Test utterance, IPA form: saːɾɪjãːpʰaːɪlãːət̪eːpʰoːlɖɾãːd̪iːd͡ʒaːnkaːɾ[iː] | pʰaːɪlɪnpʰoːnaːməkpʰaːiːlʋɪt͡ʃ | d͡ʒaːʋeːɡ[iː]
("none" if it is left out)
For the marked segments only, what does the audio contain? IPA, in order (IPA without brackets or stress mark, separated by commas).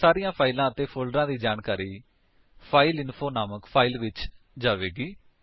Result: iː, iː